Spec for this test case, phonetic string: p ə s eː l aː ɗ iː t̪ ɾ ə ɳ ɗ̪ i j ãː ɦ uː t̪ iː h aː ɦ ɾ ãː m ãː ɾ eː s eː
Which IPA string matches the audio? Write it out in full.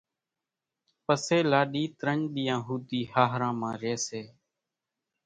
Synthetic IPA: p ə s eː l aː ɗ iː t̪ ɾ ə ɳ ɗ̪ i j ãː ɦ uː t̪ iː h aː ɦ ɾ ãː m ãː ɾ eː s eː